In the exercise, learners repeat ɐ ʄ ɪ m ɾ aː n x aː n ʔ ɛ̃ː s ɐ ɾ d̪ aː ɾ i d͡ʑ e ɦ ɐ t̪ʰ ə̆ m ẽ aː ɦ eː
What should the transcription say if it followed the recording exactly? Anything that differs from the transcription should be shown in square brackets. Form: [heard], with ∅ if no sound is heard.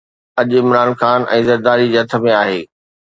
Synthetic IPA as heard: ɐ ʄ ɪ m ɾ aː n x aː n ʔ ɛ̃ː [z] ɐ ɾ d̪ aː ɾ i d͡ʑ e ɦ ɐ t̪ʰ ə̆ m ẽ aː ɦ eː